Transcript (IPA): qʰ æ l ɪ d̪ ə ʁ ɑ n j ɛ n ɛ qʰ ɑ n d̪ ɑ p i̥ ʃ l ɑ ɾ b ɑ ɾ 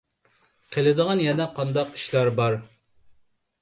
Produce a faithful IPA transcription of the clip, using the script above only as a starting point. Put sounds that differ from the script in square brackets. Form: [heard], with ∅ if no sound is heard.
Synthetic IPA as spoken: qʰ [e] l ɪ d̪ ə ʁ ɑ n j ɛ n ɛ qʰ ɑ n d̪ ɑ [q] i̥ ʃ l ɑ ɾ b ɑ ɾ